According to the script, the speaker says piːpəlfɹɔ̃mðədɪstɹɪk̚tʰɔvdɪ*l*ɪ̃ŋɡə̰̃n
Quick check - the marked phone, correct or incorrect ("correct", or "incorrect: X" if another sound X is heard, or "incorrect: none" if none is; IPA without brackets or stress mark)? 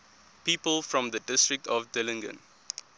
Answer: correct